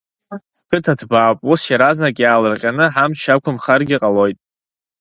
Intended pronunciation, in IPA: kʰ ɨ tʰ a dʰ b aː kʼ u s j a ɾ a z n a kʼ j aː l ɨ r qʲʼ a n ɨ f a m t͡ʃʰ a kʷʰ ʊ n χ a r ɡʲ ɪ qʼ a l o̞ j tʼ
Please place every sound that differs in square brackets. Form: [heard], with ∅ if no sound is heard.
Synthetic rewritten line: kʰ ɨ tʰ a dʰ b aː [pʼ] u s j a ɾ a z n a kʼ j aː l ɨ r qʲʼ a n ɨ [ħ] a m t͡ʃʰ a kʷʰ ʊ [m] χ a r ɡʲ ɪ qʼ a l o̞ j tʼ

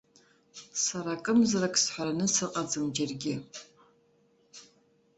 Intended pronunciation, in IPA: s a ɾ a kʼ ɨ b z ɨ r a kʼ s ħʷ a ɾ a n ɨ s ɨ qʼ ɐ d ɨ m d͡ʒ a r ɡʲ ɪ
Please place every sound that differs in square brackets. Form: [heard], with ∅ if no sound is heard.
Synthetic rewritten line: s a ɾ a kʼ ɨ [m] z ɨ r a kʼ s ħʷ a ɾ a n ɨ s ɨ qʼ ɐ [d͡z] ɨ m d͡ʒ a r ɡʲ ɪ

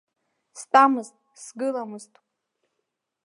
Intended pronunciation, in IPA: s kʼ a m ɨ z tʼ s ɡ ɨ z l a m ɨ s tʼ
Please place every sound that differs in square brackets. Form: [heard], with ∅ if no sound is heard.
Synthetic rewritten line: s [tʼ] a m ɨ z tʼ s ɡ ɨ [∅] l a m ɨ [z] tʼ

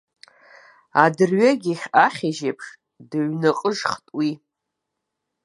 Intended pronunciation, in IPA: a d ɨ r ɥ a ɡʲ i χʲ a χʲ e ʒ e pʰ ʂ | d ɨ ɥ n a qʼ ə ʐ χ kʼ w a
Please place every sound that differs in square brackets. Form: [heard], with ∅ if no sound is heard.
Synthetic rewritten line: a d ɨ r ɥ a ɡʲ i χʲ a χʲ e ʒ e pʰ ʂ | d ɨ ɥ n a qʼ ə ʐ χ [tʼ] w [i]

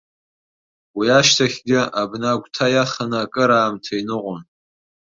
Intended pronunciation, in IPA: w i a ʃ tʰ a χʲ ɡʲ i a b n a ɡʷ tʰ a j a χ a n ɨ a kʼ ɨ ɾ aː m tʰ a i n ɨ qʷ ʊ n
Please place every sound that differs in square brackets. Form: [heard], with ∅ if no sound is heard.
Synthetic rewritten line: w i a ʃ tʰ a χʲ ɡʲ [ɪ] a b n a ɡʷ tʰ a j a χ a n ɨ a kʼ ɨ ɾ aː m tʰ a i n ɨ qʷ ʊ n

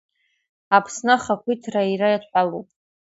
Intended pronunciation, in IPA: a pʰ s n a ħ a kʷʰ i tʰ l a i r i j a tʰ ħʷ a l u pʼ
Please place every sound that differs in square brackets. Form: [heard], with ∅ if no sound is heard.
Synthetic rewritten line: a pʰ s n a [χ] a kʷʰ i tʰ [r] a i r [a] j a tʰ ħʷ a l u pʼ

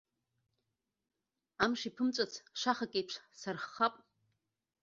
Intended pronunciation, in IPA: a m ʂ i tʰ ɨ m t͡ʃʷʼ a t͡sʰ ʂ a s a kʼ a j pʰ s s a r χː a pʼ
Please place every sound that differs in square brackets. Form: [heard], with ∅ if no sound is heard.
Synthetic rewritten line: a m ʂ i [pʰ] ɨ m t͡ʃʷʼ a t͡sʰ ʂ a [χ] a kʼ [e] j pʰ [ʂ] s a r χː a pʼ

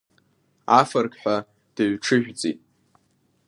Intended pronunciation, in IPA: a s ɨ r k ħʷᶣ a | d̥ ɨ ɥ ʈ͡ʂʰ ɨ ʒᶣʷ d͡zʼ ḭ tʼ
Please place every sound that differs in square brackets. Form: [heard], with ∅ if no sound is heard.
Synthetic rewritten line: a [f] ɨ r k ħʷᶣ a | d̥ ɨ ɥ ʈ͡ʂʰ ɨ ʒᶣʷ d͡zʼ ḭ tʼ

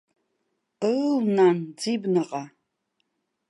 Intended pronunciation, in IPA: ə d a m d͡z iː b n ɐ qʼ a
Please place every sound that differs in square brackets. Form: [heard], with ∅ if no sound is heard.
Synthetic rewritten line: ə [n] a [n] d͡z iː b n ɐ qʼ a

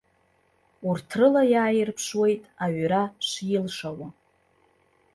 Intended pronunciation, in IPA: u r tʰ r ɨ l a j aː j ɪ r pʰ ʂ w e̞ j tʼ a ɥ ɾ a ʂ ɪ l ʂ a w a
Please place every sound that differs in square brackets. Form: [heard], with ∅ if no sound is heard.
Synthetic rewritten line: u r tʰ r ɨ l a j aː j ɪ r pʰ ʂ w e̞ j tʼ a ɥ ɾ a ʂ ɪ l ʂ a w a

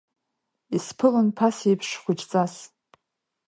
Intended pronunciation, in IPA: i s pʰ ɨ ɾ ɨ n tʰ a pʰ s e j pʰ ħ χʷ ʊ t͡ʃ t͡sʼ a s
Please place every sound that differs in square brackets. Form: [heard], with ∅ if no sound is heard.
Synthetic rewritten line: i s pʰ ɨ [l] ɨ n [pʰ] a [∅] s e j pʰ [ʂ] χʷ ʊ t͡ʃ t͡sʼ a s

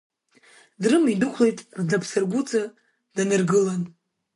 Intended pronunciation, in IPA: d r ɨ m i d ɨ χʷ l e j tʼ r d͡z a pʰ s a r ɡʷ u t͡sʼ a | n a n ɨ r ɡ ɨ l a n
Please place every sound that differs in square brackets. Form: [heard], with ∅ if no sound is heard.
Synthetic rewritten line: d r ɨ m i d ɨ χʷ l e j tʼ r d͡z a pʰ s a r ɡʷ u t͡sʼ a | [d] a n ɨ r ɡ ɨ l a n

